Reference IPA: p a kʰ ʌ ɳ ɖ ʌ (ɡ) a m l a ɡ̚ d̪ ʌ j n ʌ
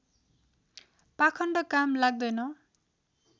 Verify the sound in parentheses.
incorrect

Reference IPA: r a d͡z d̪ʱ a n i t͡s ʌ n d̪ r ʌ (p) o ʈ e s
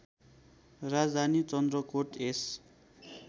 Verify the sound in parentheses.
incorrect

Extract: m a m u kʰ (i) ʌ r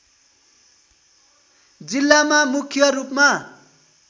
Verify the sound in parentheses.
incorrect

